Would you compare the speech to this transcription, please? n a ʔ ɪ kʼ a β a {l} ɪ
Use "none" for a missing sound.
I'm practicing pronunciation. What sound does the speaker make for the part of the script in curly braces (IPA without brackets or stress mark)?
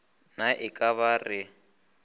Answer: r